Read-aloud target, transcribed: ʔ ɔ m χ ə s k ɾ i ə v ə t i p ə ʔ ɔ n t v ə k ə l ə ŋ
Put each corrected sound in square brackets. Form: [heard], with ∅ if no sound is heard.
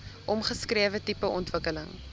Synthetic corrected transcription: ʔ ɔ m χ ə s k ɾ i ə v ə t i p ə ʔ ɔ n t v ə k ə l ə ŋ